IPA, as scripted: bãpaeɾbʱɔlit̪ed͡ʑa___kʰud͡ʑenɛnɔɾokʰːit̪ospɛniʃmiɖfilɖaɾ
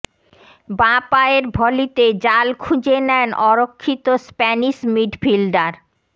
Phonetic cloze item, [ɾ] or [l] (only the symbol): l